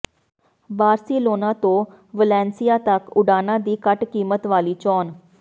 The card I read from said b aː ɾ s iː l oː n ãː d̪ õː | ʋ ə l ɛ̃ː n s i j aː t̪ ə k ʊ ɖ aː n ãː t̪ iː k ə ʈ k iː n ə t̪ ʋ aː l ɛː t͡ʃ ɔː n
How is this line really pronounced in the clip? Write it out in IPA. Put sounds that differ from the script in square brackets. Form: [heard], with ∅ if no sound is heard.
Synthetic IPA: b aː ɾ s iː l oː n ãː [t̪] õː | ʋ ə l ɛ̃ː n s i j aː t̪ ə k ʊ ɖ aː n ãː [d̪] iː k ə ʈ k iː [m] ə t̪ ʋ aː l [iː] t͡ʃ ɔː n